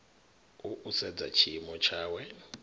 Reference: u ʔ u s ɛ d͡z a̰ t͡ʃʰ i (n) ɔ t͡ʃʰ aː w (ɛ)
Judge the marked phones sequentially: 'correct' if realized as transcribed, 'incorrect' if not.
incorrect: m, correct

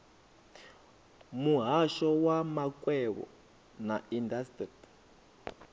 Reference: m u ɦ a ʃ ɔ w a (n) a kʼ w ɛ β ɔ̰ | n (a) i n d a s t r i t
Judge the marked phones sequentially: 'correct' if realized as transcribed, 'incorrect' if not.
incorrect: m, correct

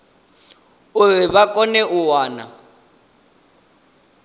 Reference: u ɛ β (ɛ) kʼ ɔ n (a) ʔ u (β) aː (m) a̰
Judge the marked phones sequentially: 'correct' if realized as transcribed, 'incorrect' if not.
incorrect: a, incorrect: ɛ, incorrect: w, incorrect: n

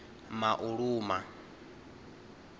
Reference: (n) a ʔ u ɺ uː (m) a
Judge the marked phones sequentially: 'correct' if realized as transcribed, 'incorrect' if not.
incorrect: m, correct

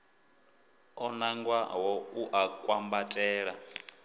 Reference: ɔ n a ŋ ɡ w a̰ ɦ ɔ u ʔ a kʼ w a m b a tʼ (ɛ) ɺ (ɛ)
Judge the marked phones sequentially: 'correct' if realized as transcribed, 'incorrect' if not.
incorrect: ɛː, incorrect: a

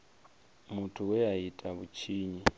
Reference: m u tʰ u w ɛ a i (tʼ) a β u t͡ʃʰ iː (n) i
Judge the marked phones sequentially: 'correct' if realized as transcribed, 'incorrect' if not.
correct, incorrect: ɲ

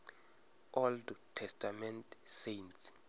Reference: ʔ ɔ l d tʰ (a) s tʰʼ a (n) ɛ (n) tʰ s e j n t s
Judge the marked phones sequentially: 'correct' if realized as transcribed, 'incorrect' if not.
incorrect: ɛ, incorrect: m, correct

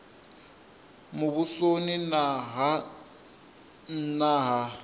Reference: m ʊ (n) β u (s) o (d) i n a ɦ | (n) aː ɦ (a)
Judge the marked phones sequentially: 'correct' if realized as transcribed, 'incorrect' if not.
incorrect: none, correct, incorrect: n, correct, correct

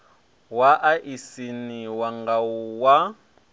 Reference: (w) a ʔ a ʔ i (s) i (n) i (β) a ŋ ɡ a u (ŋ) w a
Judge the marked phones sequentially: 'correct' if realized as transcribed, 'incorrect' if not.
correct, correct, correct, incorrect: w, incorrect: none

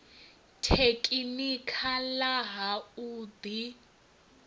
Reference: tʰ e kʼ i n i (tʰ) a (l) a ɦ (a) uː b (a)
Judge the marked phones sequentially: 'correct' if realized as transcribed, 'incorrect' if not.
incorrect: kʰ, correct, correct, incorrect: i

